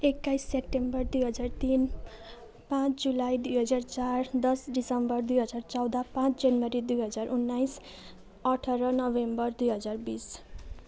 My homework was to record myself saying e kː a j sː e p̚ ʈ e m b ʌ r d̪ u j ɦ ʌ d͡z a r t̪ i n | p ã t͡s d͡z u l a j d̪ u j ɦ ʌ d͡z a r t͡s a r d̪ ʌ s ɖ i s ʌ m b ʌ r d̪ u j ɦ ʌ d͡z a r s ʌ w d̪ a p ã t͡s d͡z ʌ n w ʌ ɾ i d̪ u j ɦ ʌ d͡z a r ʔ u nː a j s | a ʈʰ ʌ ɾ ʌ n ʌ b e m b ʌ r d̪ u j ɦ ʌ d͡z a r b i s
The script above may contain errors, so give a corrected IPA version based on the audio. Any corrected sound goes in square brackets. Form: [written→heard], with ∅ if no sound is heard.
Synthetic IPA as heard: e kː a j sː e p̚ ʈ e m b ʌ r d̪ u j ɦ ʌ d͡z a r t̪ i n | p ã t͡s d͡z u l a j d̪ u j ɦ ʌ d͡z a r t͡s a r d̪ ʌ s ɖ i s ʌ m b ʌ r d̪ u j ɦ ʌ d͡z a r [s→t͡s] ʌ w d̪ a p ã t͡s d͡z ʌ n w ʌ ɾ i d̪ u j ɦ ʌ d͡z a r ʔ u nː a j s | [a→ʌ] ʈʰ ʌ ɾ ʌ n ʌ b e m b ʌ r d̪ u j ɦ ʌ d͡z a r b i s

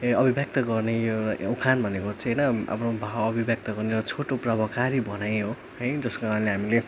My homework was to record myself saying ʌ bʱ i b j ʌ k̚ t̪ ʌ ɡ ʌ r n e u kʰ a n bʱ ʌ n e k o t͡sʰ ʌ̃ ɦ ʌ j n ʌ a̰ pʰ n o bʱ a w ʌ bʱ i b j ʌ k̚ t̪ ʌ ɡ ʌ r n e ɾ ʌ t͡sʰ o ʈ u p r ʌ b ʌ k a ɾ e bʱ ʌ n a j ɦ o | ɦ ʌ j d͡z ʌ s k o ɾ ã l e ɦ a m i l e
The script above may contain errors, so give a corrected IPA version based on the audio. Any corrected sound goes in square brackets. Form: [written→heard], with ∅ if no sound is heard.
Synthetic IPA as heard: ʌ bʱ i b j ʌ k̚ t̪ ʌ ɡ ʌ r n e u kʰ a n bʱ ʌ n e k o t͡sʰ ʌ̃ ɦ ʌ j n ʌ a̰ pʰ n o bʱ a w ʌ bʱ i b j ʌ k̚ t̪ ʌ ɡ ʌ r n e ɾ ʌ t͡sʰ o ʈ [u→o] p r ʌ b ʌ k a ɾ [e→i] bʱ ʌ n a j ɦ o | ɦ ʌ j d͡z ʌ s k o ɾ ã l e ɦ a m i l e

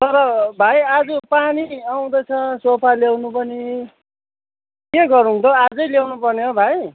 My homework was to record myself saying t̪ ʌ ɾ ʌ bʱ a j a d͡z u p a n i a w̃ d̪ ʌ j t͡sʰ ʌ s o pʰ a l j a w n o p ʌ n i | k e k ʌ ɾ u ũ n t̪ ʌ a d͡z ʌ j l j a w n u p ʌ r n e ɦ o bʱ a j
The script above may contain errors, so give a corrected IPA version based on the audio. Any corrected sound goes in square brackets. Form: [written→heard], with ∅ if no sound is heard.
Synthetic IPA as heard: t̪ ʌ ɾ ʌ bʱ a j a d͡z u p a n i a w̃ d̪ ʌ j t͡sʰ ʌ s o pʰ a l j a w n [o→u] p ʌ n i | k e [k→ɡ] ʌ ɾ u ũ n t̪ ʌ a d͡z ʌ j l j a w n u p ʌ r n e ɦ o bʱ a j

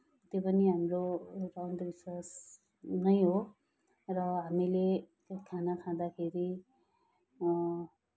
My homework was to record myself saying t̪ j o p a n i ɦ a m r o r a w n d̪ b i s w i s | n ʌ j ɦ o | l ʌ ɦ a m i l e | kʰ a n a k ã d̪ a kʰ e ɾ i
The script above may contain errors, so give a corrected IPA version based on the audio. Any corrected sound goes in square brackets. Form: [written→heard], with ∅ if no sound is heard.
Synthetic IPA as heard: t̪ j o p [a→ʌ] n i ɦ a m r o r a w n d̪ b i s w [i→a] s | n ʌ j ɦ o | [l→r] ʌ ɦ a m i l e | kʰ a n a [k→kʰ] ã d̪ a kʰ e ɾ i

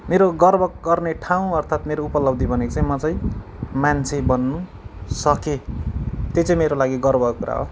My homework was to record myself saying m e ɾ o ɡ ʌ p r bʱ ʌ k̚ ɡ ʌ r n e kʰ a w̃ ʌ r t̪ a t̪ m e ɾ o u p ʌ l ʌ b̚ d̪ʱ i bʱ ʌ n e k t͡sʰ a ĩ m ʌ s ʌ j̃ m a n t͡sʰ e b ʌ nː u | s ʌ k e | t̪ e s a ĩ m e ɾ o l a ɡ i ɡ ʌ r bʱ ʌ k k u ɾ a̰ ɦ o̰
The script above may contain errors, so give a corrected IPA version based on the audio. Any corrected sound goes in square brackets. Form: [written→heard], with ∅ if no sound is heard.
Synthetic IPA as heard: m e ɾ o ɡ ʌ [p→∅] r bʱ ʌ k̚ ɡ ʌ r n e [kʰ→ʈʰ] a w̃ ʌ r [t̪→t̪ʰ] a t̪ m e ɾ o u p ʌ l ʌ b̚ d̪ʱ i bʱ ʌ n e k [t͡sʰ→t͡s] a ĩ m ʌ [s→t͡s] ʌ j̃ m a n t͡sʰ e b ʌ nː u | s ʌ k e | t̪ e [s→t͡s] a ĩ m e ɾ o l a ɡ i ɡ ʌ r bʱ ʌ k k u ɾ a̰ ɦ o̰

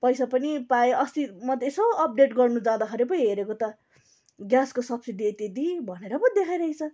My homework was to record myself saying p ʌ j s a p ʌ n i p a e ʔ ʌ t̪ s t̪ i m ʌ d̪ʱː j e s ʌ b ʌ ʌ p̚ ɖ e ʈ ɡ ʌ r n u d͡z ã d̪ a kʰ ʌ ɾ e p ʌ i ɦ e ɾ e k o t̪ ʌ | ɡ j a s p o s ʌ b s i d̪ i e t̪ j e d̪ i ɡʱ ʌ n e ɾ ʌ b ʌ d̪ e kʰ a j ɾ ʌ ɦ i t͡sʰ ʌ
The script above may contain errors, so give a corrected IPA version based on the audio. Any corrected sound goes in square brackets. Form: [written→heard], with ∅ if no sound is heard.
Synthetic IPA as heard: p ʌ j s a p ʌ n i p a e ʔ ʌ [t̪→∅] s t̪ i m ʌ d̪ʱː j e s ʌ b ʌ ʌ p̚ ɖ e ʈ ɡ ʌ r n u d͡z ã d̪ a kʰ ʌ ɾ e p ʌ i ɦ e ɾ e k o t̪ ʌ | ɡ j a s [p→k] o s ʌ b s i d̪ i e t̪ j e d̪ i [ɡʱ→bʱ] ʌ n e ɾ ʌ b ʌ d̪ e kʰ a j ɾ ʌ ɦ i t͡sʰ ʌ

